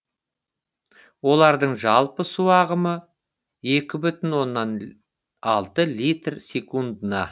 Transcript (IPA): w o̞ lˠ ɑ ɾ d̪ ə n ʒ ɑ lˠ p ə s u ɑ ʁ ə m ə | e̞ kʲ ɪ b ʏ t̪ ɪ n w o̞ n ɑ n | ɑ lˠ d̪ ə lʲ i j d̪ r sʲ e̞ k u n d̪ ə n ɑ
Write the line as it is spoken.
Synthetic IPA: w o̞ lˠ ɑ ɾ d̪ ə ɴ ʒ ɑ lˠ p ə s u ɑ ʁ ə m ə | e̞ kʲ ɪ b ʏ t̪ ɪ n w o̞ nː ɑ n | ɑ lˠ t̪ ə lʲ i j t̪ r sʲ e̞ k u n d̪ ə n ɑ